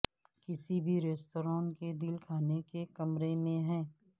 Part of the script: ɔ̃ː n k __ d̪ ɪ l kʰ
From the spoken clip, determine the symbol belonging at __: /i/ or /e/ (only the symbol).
e